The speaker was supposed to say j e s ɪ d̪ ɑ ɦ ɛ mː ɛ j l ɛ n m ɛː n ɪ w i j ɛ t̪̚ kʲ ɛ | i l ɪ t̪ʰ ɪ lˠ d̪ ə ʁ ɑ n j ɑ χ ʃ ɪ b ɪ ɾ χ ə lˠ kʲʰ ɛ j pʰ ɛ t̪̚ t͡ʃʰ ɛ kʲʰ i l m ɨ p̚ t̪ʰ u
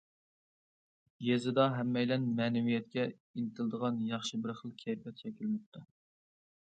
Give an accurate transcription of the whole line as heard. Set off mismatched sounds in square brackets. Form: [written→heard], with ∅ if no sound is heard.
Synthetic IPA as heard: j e [s→z] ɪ d̪ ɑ ɦ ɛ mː ɛ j l ɛ n m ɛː n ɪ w i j ɛ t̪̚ kʲ ɛ | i l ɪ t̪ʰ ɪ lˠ d̪ ə ʁ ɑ n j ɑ χ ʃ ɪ b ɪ ɾ χ ə lˠ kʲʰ ɛ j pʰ ɛ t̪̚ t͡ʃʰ ɛ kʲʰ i l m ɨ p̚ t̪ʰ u